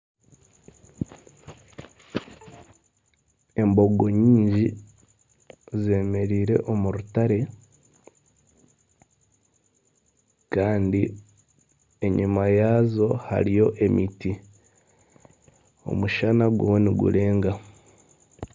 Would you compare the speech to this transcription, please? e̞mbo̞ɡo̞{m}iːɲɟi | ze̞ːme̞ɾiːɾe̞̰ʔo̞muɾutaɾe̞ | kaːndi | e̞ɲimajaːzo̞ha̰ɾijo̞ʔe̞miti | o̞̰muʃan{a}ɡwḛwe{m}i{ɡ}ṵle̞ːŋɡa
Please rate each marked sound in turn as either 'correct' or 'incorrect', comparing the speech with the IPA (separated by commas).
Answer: incorrect, correct, incorrect, correct